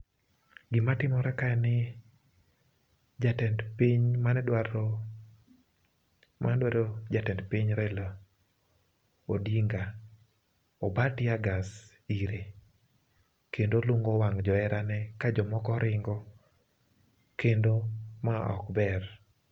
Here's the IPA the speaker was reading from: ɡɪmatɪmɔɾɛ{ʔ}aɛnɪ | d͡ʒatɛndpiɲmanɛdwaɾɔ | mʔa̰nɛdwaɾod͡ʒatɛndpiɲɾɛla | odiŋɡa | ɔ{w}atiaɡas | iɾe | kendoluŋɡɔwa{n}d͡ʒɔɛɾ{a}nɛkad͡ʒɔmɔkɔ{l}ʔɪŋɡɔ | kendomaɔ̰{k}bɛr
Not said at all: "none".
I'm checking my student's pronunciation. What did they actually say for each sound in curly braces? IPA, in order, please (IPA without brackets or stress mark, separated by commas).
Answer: k, b, ŋ, a, ɾ, k